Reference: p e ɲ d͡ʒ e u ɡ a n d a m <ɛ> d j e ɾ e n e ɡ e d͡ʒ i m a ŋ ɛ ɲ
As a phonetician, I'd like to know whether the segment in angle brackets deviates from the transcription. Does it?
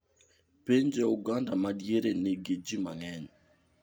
yes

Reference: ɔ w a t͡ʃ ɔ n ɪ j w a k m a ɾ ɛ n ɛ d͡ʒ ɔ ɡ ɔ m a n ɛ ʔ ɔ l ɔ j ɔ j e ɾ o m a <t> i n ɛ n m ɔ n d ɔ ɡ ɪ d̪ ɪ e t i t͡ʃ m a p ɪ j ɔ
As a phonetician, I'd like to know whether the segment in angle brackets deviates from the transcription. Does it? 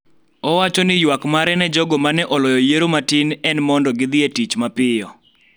no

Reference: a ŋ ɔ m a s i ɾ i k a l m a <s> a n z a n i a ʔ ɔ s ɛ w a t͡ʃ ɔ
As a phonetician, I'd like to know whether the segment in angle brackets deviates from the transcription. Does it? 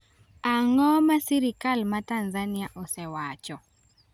yes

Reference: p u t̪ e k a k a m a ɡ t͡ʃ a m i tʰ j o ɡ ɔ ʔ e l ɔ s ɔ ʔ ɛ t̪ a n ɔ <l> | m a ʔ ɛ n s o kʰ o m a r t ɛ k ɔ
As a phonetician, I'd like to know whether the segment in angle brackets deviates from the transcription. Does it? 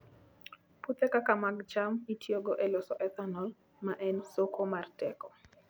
no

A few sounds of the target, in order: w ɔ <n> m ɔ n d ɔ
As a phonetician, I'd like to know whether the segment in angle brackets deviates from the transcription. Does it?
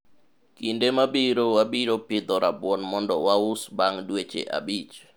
no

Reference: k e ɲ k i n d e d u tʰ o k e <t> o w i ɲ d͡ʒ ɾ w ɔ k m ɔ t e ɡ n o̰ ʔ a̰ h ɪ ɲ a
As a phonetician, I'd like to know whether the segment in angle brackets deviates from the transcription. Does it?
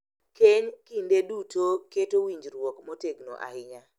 no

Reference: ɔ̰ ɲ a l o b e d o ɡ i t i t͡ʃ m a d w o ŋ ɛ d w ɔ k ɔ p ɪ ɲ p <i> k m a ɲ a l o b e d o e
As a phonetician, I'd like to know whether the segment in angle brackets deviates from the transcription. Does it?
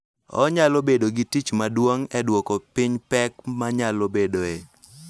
yes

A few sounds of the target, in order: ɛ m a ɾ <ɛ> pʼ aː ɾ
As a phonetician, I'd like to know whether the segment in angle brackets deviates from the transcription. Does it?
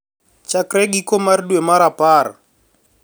yes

